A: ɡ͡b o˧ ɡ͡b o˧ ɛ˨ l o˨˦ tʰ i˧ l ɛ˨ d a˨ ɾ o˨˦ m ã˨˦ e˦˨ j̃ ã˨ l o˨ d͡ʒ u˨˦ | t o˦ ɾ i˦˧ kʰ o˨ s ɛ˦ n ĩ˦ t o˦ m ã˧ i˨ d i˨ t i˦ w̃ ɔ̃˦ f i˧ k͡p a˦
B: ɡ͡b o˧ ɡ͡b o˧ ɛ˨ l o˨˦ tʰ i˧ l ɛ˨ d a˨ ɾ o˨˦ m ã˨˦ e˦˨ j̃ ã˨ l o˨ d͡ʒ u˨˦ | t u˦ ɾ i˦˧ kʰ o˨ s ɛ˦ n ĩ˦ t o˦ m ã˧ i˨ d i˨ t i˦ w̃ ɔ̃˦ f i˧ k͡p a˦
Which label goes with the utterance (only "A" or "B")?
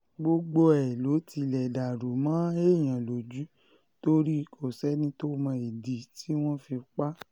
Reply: A